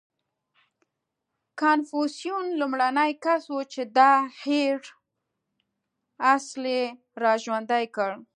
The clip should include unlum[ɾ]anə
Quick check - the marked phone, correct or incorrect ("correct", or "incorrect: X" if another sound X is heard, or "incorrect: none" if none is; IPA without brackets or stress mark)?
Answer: incorrect: ɽ